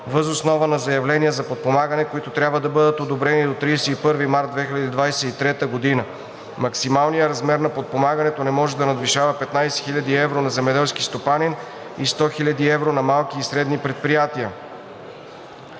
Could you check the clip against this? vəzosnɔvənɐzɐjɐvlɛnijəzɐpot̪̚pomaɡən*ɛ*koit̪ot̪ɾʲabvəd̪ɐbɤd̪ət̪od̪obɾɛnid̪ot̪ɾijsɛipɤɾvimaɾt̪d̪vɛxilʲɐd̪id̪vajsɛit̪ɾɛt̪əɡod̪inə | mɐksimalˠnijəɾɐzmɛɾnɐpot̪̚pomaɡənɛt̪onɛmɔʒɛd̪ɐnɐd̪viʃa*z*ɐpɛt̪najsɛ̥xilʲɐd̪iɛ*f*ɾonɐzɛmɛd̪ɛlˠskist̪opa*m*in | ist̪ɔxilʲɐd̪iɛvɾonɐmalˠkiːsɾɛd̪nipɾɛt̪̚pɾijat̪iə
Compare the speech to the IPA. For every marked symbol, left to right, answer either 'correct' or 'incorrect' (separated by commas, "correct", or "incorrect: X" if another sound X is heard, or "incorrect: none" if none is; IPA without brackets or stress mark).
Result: correct, incorrect: v, incorrect: v, incorrect: n